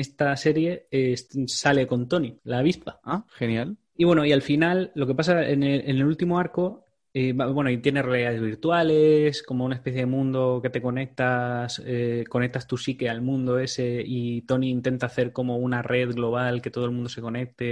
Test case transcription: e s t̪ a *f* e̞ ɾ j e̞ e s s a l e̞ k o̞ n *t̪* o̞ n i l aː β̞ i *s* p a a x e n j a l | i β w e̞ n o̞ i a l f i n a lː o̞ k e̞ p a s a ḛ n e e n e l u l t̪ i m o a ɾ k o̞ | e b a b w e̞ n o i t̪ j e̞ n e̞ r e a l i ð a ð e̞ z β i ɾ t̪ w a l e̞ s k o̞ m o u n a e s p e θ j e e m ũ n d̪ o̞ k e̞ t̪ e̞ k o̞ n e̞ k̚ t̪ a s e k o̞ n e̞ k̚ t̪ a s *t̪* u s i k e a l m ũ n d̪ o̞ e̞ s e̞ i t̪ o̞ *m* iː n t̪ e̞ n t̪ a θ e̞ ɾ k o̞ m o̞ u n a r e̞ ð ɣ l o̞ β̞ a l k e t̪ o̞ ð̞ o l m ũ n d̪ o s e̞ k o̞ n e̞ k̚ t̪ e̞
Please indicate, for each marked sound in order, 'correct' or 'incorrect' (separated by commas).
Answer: incorrect, correct, correct, correct, incorrect